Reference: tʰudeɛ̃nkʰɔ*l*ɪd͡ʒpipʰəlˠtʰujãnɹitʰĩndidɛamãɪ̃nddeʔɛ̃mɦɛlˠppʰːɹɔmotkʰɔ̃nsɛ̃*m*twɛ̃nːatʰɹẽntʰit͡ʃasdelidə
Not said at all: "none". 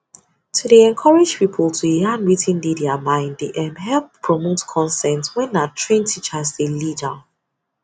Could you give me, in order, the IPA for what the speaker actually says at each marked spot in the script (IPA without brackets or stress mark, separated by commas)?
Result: ɹ, n